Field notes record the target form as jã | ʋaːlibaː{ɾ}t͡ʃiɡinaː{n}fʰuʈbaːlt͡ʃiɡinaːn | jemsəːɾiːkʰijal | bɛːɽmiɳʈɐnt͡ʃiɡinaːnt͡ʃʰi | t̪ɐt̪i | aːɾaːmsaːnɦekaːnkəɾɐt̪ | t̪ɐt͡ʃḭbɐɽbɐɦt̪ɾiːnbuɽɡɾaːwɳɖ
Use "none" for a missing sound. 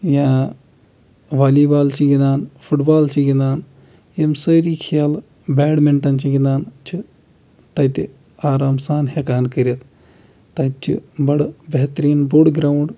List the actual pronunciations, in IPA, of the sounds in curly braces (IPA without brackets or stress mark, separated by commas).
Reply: l, n